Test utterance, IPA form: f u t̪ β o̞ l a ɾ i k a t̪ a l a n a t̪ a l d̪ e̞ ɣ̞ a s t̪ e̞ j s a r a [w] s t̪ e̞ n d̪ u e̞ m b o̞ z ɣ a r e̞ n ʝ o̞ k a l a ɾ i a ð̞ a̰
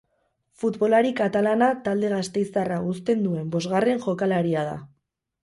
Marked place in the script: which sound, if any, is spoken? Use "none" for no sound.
u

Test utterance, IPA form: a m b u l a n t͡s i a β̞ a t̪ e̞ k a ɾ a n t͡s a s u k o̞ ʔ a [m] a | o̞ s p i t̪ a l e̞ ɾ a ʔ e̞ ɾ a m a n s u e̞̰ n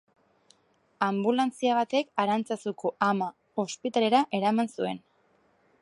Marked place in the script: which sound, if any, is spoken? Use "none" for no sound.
m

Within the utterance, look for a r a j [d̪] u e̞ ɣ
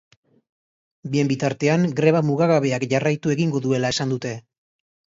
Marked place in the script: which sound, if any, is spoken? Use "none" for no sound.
t̪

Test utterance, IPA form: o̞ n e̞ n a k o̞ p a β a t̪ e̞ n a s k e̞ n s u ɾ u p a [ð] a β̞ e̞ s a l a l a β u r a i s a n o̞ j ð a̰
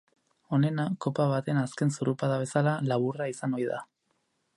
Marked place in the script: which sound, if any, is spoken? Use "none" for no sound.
ð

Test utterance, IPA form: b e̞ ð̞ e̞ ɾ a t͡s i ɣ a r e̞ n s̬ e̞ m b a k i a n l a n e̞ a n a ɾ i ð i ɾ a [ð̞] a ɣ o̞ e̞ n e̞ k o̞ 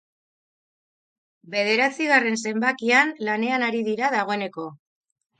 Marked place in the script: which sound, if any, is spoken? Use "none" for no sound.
ð̞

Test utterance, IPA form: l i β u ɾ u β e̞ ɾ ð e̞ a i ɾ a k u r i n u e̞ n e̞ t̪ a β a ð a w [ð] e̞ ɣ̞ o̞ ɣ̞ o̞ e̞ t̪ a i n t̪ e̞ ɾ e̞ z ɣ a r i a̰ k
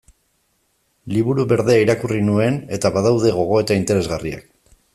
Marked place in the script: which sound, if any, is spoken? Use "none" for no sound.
ð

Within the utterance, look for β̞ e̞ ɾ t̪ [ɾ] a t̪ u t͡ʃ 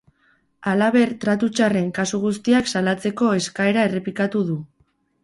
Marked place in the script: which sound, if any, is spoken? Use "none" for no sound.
ɾ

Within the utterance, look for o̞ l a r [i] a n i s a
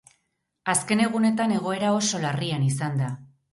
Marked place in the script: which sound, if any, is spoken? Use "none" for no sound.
i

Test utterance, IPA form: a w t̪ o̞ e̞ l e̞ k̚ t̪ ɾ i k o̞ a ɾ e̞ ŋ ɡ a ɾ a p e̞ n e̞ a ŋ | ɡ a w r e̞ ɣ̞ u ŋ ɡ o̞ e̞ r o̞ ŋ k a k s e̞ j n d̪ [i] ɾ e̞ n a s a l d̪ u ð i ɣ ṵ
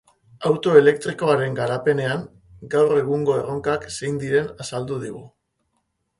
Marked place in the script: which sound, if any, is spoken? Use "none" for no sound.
i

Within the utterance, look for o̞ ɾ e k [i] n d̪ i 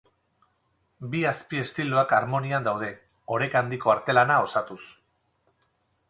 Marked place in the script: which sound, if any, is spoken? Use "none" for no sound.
a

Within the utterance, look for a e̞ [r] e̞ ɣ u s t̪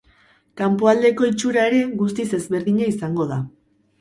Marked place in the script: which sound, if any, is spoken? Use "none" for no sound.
ɾ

